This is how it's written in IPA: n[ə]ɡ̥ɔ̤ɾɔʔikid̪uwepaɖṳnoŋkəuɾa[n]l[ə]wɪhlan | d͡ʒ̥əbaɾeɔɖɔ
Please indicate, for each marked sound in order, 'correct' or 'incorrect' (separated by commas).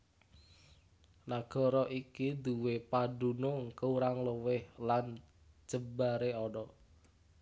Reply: incorrect, incorrect, correct